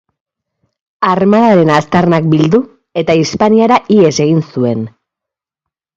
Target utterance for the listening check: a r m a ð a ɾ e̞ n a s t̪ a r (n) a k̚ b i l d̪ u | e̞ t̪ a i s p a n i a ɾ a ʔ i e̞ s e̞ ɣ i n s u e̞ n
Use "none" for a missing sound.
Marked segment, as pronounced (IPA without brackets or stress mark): n